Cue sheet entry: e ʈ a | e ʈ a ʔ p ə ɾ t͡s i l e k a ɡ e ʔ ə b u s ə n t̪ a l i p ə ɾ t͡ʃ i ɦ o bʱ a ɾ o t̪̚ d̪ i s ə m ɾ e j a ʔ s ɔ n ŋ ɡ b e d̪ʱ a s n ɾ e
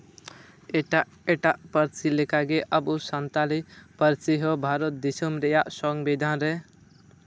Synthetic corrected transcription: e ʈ a | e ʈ a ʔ p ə ɾ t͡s i l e k a ɡ e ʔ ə b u s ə n t̪ a l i p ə ɾ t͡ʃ i ɦ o bʱ a ɾ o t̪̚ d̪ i s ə m ɾ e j a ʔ s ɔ ŋ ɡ b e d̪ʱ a n ɾ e